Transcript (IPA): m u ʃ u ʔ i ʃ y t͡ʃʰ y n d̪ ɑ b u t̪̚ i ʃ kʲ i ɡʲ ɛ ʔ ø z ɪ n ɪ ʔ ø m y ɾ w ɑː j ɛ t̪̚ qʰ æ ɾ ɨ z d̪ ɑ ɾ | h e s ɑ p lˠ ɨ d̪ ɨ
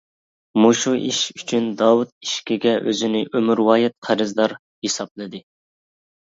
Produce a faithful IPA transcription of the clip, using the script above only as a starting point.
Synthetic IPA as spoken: m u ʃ u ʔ i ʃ y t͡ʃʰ y n d̪ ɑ w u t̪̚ i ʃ kʲ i ɡʲ ɛ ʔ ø z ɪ n ɪ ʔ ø m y ɾ w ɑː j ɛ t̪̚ qʰ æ ɾ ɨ z d̪ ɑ ɾ | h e s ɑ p lˠ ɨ d̪ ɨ